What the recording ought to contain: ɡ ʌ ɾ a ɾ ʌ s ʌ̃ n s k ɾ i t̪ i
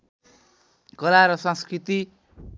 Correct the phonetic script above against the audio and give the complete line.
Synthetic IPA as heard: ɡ ʌ l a ɾ ʌ s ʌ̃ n s k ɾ i t̪ i